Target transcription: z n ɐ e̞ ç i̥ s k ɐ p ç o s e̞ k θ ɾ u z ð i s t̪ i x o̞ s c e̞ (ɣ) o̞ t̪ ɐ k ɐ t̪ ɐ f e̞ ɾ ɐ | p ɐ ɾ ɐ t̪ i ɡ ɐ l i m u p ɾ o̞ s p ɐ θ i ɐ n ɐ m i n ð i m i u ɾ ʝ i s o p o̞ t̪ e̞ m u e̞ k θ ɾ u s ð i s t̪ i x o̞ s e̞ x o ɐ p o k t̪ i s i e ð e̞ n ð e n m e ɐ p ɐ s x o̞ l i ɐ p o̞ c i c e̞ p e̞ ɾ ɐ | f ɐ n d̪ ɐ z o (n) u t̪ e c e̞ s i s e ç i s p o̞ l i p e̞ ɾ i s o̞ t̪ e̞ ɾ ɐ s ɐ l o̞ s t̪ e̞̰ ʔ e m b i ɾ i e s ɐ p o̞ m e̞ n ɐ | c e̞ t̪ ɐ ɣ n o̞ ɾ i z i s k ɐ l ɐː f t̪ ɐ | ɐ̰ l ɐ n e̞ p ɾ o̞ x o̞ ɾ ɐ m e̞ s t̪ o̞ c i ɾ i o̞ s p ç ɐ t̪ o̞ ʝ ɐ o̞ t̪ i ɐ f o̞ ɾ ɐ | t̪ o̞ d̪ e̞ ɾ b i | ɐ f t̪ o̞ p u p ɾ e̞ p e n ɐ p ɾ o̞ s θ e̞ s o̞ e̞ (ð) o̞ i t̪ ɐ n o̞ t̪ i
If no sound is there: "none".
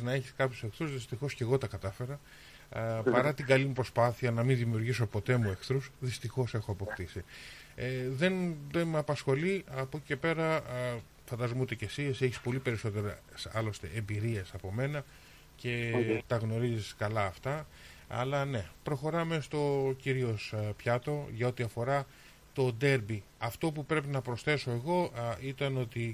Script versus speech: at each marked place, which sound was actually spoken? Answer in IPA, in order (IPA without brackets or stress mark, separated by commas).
ɣ, m, ɣ